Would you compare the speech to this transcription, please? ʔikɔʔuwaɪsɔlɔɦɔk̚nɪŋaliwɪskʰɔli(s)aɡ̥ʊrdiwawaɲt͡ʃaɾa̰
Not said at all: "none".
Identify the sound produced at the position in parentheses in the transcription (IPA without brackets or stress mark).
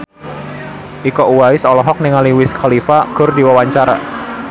f